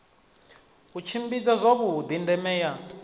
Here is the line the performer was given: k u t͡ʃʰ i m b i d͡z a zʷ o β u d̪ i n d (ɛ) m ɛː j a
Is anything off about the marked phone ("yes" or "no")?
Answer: no